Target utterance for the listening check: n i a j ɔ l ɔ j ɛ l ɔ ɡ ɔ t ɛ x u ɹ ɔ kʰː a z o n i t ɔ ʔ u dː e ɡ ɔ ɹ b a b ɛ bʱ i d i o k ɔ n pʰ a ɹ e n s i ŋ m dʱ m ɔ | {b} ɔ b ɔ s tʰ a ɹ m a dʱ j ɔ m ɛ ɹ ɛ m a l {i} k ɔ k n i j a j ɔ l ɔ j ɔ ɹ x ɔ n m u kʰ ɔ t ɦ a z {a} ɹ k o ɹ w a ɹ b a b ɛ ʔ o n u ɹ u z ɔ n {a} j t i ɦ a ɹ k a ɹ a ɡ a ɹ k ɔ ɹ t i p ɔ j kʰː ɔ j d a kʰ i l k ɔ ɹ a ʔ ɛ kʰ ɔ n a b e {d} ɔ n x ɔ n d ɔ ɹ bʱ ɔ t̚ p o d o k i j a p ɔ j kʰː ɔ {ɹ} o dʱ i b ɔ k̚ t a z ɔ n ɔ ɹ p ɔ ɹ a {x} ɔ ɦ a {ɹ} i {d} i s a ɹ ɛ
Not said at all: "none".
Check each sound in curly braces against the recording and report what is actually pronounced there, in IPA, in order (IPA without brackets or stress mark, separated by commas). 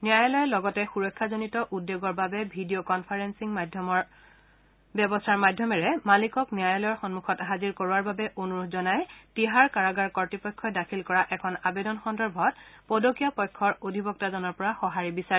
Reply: b, i, i, a, d, ɹ, x, ɹ, b